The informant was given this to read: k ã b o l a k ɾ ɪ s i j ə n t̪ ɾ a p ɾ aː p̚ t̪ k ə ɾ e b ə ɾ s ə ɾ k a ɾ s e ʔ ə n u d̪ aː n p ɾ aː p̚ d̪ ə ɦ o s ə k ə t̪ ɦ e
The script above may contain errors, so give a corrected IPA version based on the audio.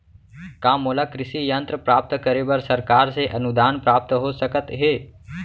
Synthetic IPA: k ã m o l a k ɾ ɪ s i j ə n t̪ ɾ ə p ɾ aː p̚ t̪ k ə ɾ e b ə ɾ s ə ɾ k a ɾ s e ʔ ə n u d̪ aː n p ɾ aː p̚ t̪ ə ɦ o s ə k ə t̪ ɦ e